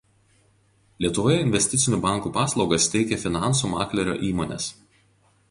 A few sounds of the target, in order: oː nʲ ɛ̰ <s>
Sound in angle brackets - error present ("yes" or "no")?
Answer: no